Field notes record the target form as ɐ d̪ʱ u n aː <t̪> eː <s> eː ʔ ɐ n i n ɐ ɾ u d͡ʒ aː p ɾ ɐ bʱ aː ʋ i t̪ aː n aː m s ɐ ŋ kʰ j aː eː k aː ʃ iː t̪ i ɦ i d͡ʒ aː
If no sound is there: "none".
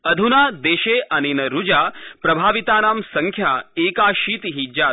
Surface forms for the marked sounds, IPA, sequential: d̪, ʃ

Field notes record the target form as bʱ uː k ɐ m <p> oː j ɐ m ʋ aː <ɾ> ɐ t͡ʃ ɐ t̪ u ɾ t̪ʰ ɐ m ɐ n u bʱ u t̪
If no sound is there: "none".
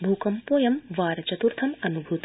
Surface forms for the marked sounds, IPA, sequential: p, ɾ

